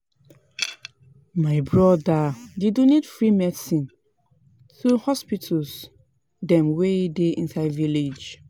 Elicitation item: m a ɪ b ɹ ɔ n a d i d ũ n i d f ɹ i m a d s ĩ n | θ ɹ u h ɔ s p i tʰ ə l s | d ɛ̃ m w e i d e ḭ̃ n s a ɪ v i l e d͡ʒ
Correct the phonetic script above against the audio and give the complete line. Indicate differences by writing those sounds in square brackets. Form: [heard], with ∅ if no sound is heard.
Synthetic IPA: m a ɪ b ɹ ɔ [d] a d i d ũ n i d f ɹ i m [ɛ] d s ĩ n | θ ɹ u h ɔ s p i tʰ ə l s | d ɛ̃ m w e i d e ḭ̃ n s a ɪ v i l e d͡ʒ